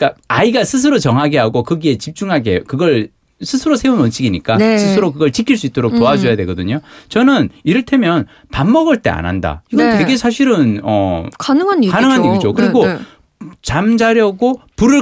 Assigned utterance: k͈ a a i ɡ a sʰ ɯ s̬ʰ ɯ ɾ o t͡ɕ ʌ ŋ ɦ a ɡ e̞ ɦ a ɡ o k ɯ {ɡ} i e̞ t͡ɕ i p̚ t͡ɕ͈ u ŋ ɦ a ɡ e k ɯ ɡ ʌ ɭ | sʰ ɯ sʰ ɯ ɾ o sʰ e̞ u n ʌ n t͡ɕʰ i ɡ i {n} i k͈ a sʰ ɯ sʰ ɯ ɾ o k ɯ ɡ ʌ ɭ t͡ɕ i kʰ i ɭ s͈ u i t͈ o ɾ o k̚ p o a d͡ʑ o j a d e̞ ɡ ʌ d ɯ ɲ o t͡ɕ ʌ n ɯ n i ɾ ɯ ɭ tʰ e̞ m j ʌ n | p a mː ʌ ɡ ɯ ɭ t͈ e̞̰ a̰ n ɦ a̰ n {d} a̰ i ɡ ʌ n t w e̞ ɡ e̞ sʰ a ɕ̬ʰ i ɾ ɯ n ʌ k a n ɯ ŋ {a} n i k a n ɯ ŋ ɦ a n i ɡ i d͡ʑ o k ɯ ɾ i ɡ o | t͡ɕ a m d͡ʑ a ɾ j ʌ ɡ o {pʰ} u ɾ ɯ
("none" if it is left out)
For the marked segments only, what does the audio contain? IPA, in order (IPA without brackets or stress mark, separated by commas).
ɡ, ɲ, d, a, p